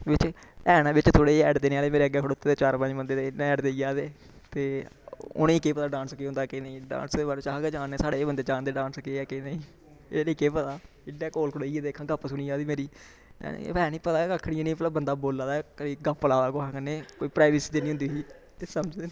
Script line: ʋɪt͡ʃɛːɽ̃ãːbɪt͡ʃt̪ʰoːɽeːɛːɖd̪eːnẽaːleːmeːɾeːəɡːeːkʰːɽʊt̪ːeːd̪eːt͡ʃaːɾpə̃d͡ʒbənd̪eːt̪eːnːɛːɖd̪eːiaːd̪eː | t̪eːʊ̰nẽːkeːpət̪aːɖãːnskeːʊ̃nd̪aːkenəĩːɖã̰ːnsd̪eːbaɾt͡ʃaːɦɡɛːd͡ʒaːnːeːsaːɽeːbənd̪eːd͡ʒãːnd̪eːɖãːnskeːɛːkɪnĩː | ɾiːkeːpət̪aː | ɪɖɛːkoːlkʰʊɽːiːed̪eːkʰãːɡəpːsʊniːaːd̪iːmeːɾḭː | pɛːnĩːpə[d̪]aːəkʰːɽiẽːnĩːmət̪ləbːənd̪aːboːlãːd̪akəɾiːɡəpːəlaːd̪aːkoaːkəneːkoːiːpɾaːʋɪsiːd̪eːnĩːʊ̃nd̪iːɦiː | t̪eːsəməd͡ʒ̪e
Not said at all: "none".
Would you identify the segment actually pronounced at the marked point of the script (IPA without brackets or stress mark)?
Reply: t̪